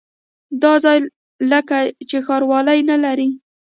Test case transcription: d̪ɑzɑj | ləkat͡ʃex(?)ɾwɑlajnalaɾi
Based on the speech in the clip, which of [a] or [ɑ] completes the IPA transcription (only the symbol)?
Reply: ɑ